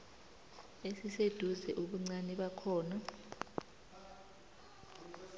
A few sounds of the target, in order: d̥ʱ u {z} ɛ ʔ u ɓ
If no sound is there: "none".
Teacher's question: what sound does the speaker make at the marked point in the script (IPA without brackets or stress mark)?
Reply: z